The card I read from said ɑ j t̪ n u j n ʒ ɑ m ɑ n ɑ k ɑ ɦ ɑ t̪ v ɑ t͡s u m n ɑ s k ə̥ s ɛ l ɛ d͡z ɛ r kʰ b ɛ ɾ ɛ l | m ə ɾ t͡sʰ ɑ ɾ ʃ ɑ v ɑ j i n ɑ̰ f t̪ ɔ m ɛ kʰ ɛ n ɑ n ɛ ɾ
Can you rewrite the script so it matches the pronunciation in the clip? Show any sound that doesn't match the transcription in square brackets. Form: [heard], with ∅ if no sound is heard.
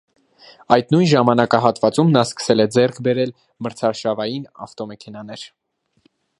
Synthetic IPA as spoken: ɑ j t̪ n u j n ʒ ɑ m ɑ n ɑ k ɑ ɦ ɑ t̪ v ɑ t͡s u m n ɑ s k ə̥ s ɛ l ɛ d͡z ɛ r kʰ b ɛ ɾ ɛ l | m ə ɾ t͡sʰ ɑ ɾ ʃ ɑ v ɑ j i n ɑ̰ f t̪ ɔ m ɛ kʰ ɛ n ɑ n ɛ ɾ